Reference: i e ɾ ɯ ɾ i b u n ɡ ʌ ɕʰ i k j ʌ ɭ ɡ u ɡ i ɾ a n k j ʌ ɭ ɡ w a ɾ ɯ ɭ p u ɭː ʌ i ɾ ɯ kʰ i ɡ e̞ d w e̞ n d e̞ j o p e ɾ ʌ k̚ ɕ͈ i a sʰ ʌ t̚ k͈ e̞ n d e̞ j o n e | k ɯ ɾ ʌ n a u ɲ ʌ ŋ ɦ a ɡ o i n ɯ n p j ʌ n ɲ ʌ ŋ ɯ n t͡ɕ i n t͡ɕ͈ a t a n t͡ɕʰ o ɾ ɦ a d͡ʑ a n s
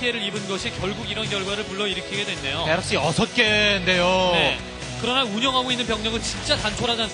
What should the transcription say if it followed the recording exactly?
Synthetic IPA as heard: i e ɾ ɯ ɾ i b ɯ n ɡ ʌ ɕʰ i k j ʌ ɭ ɡ u ɡ i ɾ ʌ n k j ʌ ɭ ɡ w a ɾ ɯ ɭ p u ɭː ʌ i ɾ ɯ kʰ i ɡ e̞ d w e̞ n d e̞ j o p e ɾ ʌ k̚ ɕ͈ i ʌ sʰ ʌ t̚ k͈ e̞ n d e̞ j o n e | k ɯ ɾ ʌ n a u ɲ ʌ ŋ ɦ a ɡ o i nː ɯ n p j ʌ ŋ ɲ ʌ ŋ ɯ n t͡ɕ i n t͡ɕ͈ a t a n t͡ɕʰ o ɾ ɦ a d͡ʑ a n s